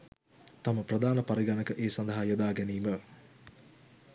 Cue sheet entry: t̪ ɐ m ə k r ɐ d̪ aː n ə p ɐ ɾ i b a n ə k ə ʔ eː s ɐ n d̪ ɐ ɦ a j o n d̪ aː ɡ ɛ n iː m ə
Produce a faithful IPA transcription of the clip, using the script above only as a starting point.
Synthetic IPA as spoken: t̪ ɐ m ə p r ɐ d̪ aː n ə p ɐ ɾ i ɡ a n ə k ə ʔ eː s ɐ n d̪ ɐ ɦ a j o d̪ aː ɡ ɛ n iː m ə